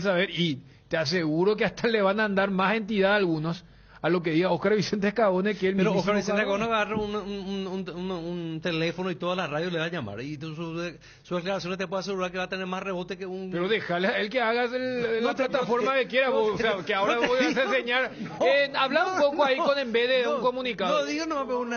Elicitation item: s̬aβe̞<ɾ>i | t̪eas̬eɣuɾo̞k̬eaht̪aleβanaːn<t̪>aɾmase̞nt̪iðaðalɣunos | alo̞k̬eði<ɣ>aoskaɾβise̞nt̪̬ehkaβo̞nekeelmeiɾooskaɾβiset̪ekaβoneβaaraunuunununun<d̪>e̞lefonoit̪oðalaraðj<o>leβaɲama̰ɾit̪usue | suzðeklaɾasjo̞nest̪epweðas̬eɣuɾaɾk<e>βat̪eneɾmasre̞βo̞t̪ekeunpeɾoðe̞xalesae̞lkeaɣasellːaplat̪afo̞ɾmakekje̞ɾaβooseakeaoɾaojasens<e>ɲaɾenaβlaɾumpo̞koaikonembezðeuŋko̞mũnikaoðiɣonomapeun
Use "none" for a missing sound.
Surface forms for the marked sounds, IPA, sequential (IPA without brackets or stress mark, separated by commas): ɾ, d̪, ɣ, t̪, o, e, e